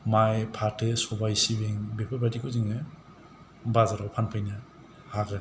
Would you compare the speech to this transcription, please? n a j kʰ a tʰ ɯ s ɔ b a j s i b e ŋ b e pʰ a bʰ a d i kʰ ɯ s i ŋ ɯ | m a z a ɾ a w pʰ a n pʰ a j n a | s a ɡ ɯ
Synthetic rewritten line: m a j pʰ a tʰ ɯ s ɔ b a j s i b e ŋ b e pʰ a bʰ a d i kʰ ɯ z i ŋ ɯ | b a z a ɾ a w pʰ a n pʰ a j n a | h a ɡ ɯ